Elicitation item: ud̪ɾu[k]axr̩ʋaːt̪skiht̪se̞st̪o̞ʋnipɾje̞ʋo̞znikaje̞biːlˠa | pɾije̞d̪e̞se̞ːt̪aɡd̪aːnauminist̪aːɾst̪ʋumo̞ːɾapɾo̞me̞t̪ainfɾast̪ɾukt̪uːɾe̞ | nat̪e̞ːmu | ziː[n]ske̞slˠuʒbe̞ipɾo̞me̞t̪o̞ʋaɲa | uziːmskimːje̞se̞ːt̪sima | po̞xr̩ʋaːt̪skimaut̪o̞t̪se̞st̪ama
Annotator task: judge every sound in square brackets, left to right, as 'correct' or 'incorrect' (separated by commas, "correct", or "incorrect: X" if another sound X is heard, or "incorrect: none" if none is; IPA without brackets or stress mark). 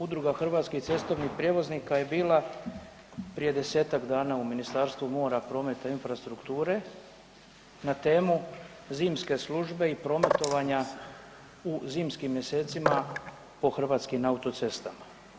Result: incorrect: ɡ, incorrect: m